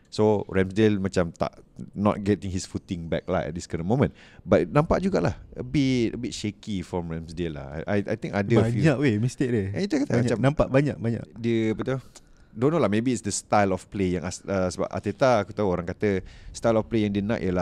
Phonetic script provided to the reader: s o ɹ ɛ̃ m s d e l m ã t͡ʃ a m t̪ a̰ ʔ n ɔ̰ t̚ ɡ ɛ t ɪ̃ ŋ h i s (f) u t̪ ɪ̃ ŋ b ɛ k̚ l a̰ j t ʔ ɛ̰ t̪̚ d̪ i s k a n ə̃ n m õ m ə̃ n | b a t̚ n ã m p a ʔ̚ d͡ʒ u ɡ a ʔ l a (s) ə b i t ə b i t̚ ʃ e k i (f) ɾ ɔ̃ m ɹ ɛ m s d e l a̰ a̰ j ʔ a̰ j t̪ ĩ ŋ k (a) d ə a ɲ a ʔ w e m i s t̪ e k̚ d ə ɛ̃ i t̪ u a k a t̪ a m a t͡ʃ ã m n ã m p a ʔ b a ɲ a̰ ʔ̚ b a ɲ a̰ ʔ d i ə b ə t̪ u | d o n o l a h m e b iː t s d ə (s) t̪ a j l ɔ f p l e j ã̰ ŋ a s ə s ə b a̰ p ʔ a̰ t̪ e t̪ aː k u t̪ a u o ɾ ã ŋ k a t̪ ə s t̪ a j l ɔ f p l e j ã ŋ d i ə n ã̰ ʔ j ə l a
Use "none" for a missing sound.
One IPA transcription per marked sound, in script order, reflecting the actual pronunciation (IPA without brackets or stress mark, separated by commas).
f, h, f, a, s